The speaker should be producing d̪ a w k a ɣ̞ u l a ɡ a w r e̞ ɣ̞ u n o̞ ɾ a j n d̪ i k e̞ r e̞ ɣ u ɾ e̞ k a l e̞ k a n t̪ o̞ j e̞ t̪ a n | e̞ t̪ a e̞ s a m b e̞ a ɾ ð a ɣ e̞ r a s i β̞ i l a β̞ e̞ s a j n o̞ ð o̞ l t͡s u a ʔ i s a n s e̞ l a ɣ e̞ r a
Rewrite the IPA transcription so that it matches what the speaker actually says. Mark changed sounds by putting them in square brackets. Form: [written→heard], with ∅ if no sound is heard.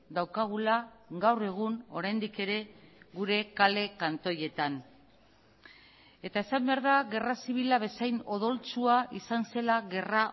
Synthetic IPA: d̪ a w k a ɣ̞ u l a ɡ a w r e̞ ɣ̞ u n o̞ ɾ a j n d̪ i k e̞ [r→ɾ] e̞ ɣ u ɾ e̞ k a l e̞ k a n t̪ o̞ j e̞ t̪ a n | e̞ t̪ a e̞ s a m b e̞ a ɾ ð a ɣ e̞ r a s i β̞ i l a β̞ e̞ s a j n o̞ ð o̞ l t͡s u a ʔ i s a n s e̞ l a ɣ e̞ r a

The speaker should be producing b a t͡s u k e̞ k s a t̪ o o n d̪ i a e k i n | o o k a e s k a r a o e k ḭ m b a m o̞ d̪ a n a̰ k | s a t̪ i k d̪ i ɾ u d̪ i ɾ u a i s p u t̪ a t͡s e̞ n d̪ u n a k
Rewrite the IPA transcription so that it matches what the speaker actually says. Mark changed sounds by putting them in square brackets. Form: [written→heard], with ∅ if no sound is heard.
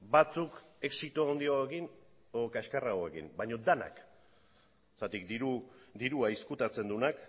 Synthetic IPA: b a t͡s u k e̞ k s [a→i] t̪ o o n d̪ i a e k i n | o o k a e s k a r a o e k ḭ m b a [m→ɲ] o̞ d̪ a n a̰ k | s a t̪ i k d̪ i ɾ u d̪ i ɾ u a i s [p→k] u t̪ a t͡s e̞ n d̪ u n a k

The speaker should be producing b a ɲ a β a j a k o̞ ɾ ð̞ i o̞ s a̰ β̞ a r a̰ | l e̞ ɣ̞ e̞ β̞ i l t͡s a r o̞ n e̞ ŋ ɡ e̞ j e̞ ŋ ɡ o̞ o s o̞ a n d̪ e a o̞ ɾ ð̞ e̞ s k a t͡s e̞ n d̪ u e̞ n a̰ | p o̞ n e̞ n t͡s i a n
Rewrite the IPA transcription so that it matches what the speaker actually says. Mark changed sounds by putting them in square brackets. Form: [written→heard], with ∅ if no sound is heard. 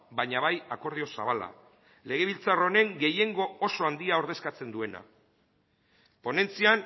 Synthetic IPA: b a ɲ a β a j a k o̞ ɾ ð̞ i o̞ s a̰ β̞ a [r→l] a̰ | l e̞ ɣ̞ e̞ β̞ i l t͡s a r o̞ n e̞ ŋ ɡ e̞ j e̞ ŋ ɡ o̞ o s o̞ a n d̪ [e→i] a o̞ ɾ ð̞ e̞ s k a t͡s e̞ n d̪ u e̞ n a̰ | p o̞ n e̞ n t͡s i a n

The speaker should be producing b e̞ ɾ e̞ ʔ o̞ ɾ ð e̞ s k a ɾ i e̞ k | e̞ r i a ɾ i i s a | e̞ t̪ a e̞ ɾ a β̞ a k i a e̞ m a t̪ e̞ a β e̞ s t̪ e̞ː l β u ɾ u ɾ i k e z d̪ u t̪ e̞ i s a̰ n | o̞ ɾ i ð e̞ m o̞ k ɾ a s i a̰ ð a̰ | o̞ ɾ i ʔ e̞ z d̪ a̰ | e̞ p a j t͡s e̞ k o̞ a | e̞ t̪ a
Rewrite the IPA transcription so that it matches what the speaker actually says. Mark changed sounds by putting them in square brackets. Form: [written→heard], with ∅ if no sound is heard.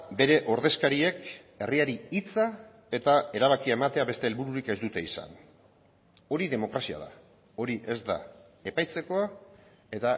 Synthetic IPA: b e̞ ɾ e̞ ʔ o̞ ɾ ð e̞ s k a ɾ i e̞ k | e̞ r i a ɾ i i [s→t͡s] a | e̞ t̪ a e̞ ɾ a β̞ a k i a e̞ m a t̪ e̞ a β e̞ s t̪ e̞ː l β u ɾ u ɾ i k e z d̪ u t̪ e̞ i s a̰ n | o̞ ɾ i ð e̞ m o̞ k ɾ a s i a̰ ð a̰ | o̞ ɾ i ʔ e̞ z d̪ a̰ | e̞ p a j t͡s e̞ k o̞ a | e̞ t̪ a

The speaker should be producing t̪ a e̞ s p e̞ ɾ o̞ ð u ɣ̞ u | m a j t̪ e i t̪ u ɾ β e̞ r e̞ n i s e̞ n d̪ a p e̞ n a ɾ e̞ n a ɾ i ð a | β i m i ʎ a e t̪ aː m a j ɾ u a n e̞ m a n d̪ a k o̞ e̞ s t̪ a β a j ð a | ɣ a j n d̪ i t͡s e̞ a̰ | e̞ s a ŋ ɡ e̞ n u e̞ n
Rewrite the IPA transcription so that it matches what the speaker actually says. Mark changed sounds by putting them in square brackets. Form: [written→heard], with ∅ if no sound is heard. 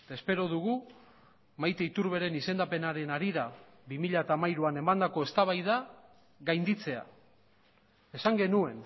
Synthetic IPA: t̪ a e̞ s p e̞ ɾ o̞ ð u ɣ̞ u | m a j t̪ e i t̪ u ɾ β e̞ [r→ɾ] e̞ n i s e̞ n d̪ a p e̞ n a ɾ e̞ n a ɾ i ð a | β i m i ʎ a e t̪ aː m a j ɾ u a n e̞ m a n d̪ a k o̞ e̞ s t̪ a β a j ð a | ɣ a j n d̪ i t͡s e̞ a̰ | e̞ s a ŋ ɡ e̞ n u e̞ n

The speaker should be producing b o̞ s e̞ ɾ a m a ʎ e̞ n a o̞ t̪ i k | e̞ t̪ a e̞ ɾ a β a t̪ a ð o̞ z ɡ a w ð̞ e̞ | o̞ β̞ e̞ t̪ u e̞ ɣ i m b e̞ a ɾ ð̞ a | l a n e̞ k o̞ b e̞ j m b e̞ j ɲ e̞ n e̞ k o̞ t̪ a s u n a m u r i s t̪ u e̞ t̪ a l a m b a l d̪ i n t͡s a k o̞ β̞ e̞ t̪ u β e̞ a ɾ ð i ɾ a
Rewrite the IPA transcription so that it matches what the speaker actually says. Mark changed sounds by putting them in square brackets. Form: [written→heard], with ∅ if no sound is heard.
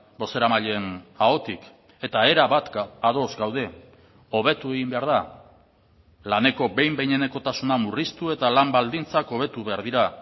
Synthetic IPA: b o̞ s e̞ ɾ a m a ʎ e̞ n a o̞ t̪ i k | e̞ t̪ a e̞ ɾ a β a t̪ a ð o̞ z ɡ a w ð̞ e̞ | o̞ β̞ e̞ t̪ u e̞ ɣ i m b e̞ a ɾ ð̞ a | l a n e̞ k o̞ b e̞ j m b e̞ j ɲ e̞ n e̞ k o̞ t̪ a s u n a m u r i s t̪ u e̞ t̪ a l a m b a l d̪ i n t͡s a k o̞ β̞ e̞ t̪ u β e̞ a ɾ ð i ɾ a

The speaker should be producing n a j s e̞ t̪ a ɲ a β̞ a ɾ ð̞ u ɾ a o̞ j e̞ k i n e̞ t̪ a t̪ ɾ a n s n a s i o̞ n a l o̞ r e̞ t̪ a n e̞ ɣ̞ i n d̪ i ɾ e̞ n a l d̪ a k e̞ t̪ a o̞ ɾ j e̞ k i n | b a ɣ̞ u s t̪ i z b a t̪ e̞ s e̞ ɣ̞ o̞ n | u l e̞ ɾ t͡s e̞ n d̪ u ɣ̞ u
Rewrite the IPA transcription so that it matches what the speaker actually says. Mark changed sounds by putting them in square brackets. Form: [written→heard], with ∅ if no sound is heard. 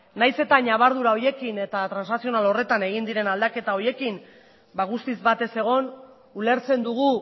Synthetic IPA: n a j s e̞ t̪ a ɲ a β̞ a ɾ ð̞ u ɾ a o̞ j e̞ k i n e̞ t̪ a t̪ ɾ a n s n a s i o̞ n a l o̞ r e̞ t̪ a n e̞ ɣ̞ i n d̪ i ɾ e̞ n a l d̪ a k e̞ t̪ a o̞ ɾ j e̞ k i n | b a ɣ̞ u s t̪ i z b a t̪ e̞ s e̞ ɣ̞ o̞ n | u l e̞ ɾ t͡s e̞ n d̪ u ɣ̞ u

